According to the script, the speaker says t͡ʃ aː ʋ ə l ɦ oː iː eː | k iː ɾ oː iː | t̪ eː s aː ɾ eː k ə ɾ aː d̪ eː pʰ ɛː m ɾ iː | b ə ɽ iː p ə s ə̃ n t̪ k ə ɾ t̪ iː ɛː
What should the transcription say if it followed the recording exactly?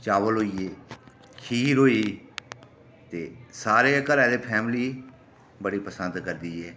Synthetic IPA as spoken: t͡ʃ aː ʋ ə l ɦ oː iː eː | kʰ iː ɾ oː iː | t̪ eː s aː ɾ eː k ə ɾ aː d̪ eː pʰ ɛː m l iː | b ə ɽ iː p ə s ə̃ n d̪ k ə ɾ d̪ iː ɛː